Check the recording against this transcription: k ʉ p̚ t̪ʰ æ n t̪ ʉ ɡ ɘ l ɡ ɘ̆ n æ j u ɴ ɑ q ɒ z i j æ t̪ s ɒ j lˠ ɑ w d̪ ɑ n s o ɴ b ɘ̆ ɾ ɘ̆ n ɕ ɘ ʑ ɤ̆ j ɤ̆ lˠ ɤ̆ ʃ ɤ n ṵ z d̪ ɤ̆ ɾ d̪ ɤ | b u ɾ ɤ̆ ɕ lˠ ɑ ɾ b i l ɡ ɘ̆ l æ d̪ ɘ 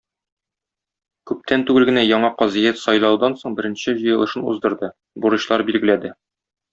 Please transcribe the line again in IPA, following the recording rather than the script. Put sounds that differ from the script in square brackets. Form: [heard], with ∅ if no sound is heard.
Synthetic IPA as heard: k ʉ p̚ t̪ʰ æ n t̪ ʉ ɡ ɘ l ɡ ɘ̆ n æ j [ɒ] ɴ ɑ q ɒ z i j æ t̪ s ɒ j lˠ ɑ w d̪ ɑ n s o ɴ b ɘ̆ ɾ ɘ̆ n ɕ ɘ ʑ ɤ̆ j ɤ̆ lˠ ɤ̆ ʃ ɤ n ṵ z d̪ ɤ̆ ɾ d̪ ɤ | b u ɾ ɤ̆ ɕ lˠ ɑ ɾ b i l ɡ ɘ̆ l æ d̪ ɘ

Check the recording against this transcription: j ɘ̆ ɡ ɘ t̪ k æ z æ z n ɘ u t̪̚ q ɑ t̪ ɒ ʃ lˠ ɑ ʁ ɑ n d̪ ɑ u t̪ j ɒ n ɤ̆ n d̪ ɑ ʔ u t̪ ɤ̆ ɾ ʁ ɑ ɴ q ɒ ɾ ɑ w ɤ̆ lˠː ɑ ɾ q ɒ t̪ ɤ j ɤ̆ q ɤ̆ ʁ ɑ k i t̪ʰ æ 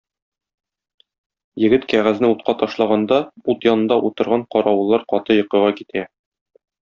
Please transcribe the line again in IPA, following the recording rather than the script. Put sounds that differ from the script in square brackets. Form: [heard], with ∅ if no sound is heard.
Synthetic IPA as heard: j ɘ̆ ɡ ɘ t̪ k æ [ʁ] æ z n ɘ u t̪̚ q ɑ t̪ ɒ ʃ lˠ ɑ ʁ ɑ n d̪ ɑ u t̪ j ɒ n ɤ̆ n d̪ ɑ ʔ u t̪ ɤ̆ ɾ ʁ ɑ ɴ q ɒ ɾ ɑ w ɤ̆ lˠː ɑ ɾ q ɒ t̪ ɤ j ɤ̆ q ɤ̆ ʁ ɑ k i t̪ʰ æ

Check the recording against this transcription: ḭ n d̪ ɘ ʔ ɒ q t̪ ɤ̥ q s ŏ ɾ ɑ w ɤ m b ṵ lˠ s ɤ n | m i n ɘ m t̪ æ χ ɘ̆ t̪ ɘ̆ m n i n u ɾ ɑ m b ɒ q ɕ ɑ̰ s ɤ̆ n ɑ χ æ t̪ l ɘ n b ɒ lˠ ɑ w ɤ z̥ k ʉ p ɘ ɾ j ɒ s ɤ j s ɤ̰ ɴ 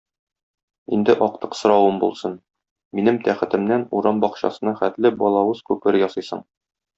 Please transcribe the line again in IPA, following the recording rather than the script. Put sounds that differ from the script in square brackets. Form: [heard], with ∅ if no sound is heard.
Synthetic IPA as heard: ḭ n d̪ ɘ ʔ ɒ q t̪ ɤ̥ q s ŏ ɾ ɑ w ɤ m b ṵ lˠ s ɤ n | m i n ɘ m t̪ æ χ ɘ̆ t̪ ɘ̆ m n [æ] n u ɾ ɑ m b ɒ q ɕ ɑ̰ s ɤ̆ n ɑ χ æ t̪ l ɘ [∅] b ɒ lˠ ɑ w ɤ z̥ k ʉ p ɘ ɾ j ɒ s ɤ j s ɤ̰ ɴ

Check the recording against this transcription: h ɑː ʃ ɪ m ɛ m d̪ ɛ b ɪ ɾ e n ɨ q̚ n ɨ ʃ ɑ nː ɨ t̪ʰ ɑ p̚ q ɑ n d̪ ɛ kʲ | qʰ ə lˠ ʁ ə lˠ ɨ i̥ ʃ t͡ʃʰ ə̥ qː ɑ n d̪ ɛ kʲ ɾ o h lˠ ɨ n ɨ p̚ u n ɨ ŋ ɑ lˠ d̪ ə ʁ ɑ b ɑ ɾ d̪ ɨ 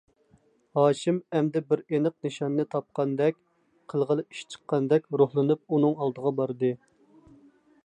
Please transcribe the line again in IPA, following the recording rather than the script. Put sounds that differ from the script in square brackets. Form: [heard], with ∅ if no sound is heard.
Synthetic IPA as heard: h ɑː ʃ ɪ m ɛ m d̪ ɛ b ɪ ɾ e n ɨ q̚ n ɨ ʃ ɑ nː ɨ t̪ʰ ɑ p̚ q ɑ n d̪ ɛ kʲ | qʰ ə lˠ ʁ ə lˠ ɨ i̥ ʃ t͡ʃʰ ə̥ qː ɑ n d̪ ɛ kʲ ɾ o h lˠ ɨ n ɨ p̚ u n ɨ ŋ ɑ lˠ d̪ ə ʁ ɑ b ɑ ɾ d̪ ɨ

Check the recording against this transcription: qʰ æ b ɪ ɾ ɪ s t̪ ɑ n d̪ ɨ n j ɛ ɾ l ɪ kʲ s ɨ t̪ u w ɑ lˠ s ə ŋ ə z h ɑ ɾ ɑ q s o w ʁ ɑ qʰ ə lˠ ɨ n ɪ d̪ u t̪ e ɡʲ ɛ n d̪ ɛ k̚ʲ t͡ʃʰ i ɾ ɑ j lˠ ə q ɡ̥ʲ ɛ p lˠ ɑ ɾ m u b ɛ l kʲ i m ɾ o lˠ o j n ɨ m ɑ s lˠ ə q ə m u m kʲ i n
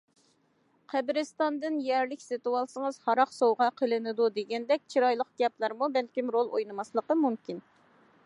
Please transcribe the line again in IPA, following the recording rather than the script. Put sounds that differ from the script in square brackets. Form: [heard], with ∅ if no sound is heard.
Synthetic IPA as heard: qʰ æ b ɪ ɾ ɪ s t̪ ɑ n d̪ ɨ n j ɛ ɾ l ɪ kʲ s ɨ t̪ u w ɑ lˠ s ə ŋ ə z h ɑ ɾ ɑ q s o w ʁ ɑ qʰ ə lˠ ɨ n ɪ d̪ u [d̪] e ɡʲ ɛ n d̪ ɛ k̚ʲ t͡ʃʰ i ɾ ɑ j lˠ ə q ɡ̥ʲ ɛ p lˠ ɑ ɾ m u b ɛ l kʲ i m ɾ o lˠ o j n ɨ m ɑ s lˠ ə q ə m u m kʲ i n

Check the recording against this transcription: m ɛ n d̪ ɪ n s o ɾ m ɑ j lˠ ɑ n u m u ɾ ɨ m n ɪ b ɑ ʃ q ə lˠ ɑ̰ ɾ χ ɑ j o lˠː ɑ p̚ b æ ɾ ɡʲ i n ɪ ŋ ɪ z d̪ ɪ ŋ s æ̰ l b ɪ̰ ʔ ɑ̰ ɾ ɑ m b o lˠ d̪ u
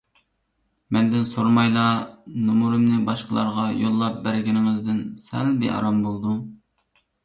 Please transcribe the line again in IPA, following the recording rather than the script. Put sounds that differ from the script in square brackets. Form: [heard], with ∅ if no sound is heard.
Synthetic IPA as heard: m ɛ n d̪ ɪ n s o ɾ m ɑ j lˠ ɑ n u m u ɾ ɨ m n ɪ b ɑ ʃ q ə lˠ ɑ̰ ɾ [ʁ] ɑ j o lˠː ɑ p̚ b æ ɾ ɡʲ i n ɪ ŋ ɪ z d̪ ɪ [n] s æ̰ l b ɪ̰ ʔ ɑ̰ ɾ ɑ m b o lˠ d̪ u

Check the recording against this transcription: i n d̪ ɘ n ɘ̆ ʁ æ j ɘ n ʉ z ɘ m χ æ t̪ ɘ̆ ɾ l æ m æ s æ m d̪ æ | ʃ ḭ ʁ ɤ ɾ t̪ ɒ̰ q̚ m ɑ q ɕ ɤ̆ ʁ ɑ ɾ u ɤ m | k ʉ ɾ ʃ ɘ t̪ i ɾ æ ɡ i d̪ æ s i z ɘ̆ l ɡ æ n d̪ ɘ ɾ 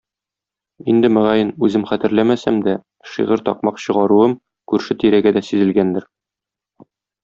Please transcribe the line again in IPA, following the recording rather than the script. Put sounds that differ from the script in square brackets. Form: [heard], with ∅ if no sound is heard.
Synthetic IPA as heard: i n d̪ ɘ [m] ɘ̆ ʁ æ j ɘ n ʉ z ɘ m χ æ t̪ ɘ̆ ɾ l æ m æ s æ m d̪ æ | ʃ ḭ ʁ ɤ ɾ t̪ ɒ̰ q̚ m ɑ q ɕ ɤ̆ ʁ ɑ ɾ u ɤ m | k ʉ ɾ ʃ ɘ t̪ i ɾ æ ɡ [æ] d̪ æ s i z ɘ̆ l ɡ æ n d̪ ɘ ɾ

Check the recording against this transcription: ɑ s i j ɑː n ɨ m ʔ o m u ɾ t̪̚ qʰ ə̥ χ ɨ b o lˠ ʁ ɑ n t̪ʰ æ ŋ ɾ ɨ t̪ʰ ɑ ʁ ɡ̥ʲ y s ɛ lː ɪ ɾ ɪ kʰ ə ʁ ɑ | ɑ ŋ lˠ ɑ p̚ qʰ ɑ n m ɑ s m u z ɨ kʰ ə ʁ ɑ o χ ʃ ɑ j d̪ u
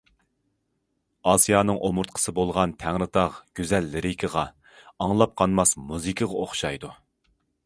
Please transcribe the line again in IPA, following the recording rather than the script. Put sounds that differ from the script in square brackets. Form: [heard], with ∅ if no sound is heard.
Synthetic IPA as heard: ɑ s i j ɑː n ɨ [ŋ] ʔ o m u ɾ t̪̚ qʰ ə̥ [s] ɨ b o lˠ ʁ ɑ n t̪ʰ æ ŋ ɾ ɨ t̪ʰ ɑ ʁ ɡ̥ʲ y [z] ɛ lː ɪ ɾ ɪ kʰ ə ʁ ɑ | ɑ ŋ lˠ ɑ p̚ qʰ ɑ n m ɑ s m u z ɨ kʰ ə ʁ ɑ o χ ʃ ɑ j d̪ u

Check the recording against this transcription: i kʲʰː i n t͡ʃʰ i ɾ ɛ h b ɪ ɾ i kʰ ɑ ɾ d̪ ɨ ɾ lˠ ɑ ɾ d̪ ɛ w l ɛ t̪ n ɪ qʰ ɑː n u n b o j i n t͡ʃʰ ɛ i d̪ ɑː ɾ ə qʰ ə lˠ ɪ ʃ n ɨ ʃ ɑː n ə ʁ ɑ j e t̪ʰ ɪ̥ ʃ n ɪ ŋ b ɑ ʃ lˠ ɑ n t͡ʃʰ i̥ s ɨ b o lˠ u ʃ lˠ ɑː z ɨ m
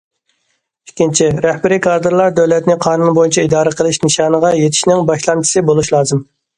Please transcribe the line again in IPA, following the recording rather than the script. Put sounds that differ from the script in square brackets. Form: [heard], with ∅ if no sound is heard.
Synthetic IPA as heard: i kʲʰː i n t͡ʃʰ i ɾ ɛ h b ɪ ɾ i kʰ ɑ ɾ d̪ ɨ ɾ lˠ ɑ ɾ d̪ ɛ w l ɛ t̪ n ɪ qʰ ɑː n u n b o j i n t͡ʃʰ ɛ i d̪ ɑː ɾ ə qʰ ə lˠ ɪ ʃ n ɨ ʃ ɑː n ə ʁ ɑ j e t̪ʰ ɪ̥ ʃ n ɪ ŋ b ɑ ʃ lˠ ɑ n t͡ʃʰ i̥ s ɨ b o lˠ u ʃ lˠ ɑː z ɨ m

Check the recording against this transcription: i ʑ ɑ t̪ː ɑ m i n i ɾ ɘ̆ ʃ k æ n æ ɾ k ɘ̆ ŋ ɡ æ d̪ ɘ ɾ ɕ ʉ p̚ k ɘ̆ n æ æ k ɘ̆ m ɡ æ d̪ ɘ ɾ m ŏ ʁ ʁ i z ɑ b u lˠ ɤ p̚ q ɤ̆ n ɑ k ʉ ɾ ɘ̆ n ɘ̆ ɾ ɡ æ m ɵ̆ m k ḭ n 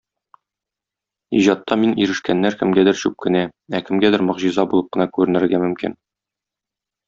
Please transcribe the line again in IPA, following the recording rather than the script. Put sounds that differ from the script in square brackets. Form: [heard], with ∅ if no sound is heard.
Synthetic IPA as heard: i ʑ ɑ t̪ː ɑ m i n i ɾ ɘ̆ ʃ k æ [nː] æ ɾ k ɘ̆ [m] ɡ æ d̪ ɘ ɾ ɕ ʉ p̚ k ɘ̆ n æ æ k ɘ̆ m ɡ æ d̪ ɘ ɾ m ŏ ʁ [ʑ] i z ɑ b u lˠ ɤ p̚ q ɤ̆ n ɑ k ʉ ɾ ɘ̆ n ɘ̆ ɾ ɡ æ m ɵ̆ m k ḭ n

